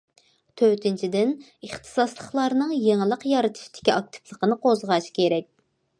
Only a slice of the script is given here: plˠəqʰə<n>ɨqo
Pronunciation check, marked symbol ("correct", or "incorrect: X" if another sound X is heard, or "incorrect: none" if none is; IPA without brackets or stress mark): correct